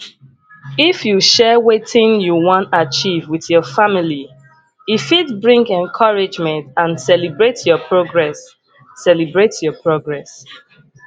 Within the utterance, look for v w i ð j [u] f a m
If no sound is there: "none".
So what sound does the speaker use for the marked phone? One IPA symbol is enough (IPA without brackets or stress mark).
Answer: ɔ